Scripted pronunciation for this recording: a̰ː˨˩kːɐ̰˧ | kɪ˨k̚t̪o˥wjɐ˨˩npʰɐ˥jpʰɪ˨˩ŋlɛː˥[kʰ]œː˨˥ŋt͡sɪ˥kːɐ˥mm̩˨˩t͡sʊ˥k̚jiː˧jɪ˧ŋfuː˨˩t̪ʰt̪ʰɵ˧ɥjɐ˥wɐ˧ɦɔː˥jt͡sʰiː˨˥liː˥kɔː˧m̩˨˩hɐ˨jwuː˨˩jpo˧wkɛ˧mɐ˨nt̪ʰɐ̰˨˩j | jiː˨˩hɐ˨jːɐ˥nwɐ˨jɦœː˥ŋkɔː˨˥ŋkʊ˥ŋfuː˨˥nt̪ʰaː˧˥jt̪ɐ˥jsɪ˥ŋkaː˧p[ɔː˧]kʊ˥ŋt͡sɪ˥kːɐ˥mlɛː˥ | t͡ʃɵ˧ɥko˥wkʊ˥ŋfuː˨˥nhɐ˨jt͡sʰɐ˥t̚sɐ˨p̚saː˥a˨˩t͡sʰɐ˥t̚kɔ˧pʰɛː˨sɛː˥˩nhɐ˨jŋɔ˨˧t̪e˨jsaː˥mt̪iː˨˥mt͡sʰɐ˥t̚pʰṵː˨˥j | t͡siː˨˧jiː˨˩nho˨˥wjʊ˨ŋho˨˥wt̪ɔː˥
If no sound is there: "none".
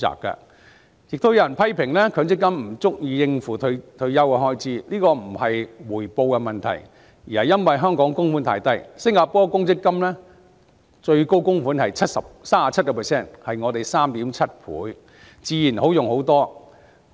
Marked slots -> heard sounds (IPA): kʰ, ɔː˥

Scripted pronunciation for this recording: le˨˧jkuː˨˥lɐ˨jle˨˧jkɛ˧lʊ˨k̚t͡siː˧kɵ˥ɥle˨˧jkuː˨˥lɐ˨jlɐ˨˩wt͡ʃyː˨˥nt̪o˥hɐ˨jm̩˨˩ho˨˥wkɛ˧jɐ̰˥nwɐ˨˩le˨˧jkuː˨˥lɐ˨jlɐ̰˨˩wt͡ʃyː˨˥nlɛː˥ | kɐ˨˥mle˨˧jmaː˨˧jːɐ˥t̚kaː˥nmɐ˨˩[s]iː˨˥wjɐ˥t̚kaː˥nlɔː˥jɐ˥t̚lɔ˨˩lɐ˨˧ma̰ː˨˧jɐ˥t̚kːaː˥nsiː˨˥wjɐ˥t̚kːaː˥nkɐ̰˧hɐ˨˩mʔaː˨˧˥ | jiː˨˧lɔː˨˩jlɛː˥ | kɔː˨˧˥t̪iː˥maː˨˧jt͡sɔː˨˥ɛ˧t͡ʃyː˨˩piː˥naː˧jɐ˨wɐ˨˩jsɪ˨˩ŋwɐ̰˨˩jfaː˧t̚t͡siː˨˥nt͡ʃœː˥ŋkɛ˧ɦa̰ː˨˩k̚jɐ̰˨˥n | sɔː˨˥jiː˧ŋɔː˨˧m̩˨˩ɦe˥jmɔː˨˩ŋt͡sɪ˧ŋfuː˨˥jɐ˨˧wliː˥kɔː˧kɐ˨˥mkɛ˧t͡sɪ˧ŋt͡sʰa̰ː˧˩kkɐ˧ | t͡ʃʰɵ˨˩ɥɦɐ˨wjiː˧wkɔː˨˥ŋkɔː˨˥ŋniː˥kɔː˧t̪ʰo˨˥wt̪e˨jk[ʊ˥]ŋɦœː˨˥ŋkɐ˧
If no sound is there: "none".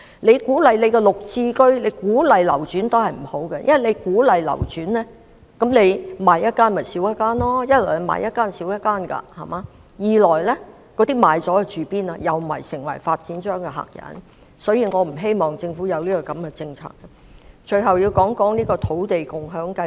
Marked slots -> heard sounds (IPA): s, ʊ˨

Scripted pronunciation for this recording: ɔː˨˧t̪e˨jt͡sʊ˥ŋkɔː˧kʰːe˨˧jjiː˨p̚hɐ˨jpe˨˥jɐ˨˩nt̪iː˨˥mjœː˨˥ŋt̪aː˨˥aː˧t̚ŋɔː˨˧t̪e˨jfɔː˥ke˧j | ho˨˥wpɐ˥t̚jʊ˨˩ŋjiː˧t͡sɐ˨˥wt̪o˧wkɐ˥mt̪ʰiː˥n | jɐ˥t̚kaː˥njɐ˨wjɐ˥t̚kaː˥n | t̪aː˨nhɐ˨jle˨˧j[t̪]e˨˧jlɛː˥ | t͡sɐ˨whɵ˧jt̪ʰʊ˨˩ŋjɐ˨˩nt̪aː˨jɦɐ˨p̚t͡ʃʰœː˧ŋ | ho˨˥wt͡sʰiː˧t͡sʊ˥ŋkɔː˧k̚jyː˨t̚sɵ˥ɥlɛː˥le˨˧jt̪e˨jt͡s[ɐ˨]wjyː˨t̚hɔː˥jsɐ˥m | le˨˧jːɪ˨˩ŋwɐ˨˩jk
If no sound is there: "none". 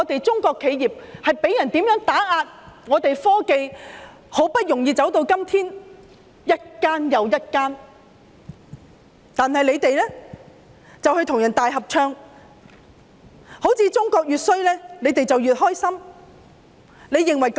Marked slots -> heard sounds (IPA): t̪, ɐ˨

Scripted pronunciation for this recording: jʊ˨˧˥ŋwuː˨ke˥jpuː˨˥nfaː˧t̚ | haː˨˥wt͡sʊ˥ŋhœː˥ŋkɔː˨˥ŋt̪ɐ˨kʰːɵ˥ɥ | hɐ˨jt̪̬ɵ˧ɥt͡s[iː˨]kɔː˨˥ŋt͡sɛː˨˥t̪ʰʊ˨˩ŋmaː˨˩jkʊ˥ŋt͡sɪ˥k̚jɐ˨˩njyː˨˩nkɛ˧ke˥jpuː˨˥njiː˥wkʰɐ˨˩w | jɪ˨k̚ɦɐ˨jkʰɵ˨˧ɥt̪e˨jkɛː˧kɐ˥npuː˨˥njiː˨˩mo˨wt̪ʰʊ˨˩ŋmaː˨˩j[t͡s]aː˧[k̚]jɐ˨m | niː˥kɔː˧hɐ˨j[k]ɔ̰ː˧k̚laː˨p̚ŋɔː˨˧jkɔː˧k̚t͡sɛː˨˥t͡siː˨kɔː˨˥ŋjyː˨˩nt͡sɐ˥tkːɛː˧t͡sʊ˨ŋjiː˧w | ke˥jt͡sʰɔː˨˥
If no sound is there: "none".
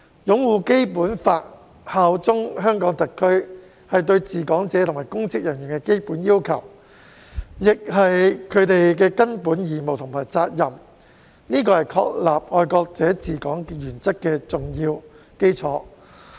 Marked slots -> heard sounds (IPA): iː˨, t͡s, t̚, kʰ

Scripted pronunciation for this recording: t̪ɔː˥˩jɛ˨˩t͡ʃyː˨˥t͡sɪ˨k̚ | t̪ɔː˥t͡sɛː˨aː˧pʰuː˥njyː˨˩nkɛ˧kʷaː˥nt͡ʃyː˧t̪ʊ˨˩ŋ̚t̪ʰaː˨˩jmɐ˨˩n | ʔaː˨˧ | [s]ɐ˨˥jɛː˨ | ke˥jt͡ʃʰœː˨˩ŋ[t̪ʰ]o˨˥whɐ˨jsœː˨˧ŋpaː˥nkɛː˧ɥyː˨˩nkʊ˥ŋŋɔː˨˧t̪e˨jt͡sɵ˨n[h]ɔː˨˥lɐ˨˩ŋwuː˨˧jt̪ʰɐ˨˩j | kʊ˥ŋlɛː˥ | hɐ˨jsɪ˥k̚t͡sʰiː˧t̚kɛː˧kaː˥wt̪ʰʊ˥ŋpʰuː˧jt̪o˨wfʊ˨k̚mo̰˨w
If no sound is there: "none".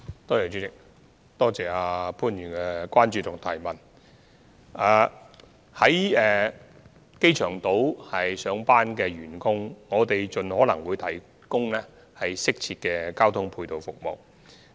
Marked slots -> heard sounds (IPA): h, t̪, h

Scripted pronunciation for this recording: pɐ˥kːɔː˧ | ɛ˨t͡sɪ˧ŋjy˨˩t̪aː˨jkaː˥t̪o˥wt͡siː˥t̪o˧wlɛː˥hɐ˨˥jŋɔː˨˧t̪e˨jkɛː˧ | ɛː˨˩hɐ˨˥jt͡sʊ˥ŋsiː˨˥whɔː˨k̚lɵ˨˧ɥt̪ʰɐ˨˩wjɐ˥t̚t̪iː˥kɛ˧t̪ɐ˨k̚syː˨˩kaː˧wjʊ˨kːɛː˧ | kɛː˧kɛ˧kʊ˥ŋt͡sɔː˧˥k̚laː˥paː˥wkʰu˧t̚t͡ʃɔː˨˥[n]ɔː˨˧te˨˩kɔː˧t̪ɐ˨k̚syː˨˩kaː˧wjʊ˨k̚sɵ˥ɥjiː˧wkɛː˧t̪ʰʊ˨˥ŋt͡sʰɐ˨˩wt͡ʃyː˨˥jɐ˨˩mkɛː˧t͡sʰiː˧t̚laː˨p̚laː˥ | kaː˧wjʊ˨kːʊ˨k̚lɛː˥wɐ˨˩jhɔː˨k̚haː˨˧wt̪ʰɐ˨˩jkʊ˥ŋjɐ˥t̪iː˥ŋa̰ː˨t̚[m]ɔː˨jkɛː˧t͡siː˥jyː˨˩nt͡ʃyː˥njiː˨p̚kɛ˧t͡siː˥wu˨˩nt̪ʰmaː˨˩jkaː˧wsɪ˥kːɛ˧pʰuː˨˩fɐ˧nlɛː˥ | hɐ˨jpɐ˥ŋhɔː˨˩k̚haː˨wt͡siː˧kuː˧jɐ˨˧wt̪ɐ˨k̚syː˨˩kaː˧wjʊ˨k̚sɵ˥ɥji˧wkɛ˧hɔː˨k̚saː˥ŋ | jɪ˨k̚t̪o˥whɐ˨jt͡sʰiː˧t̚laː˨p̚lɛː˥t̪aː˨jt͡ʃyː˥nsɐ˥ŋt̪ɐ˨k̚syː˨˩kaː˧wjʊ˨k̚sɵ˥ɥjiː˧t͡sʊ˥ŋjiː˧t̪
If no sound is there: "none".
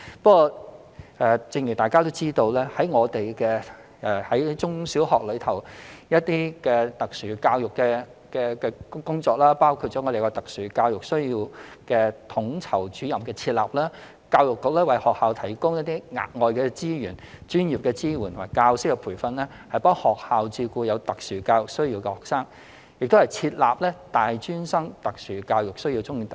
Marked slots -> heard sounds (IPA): ŋ, ŋ

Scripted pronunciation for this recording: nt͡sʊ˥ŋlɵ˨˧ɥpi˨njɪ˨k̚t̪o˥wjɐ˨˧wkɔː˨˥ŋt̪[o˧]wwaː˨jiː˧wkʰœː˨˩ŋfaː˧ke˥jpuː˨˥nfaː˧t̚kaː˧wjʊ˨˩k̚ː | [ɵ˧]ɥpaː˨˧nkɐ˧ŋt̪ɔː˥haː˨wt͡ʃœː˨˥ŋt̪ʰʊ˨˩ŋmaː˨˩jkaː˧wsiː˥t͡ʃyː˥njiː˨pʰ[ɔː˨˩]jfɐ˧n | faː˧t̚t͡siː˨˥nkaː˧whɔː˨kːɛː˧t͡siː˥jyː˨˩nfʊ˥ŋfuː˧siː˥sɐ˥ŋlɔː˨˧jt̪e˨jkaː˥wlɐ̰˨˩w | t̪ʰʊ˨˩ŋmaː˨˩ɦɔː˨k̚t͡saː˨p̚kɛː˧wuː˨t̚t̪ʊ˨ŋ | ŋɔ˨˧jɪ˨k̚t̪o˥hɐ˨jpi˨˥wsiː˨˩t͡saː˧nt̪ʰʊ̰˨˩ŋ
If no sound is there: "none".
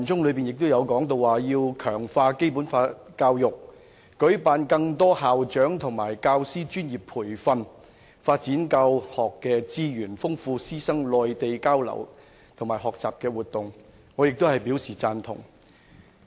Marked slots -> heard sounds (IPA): o˧, ɵ˨˥, uː˨˩

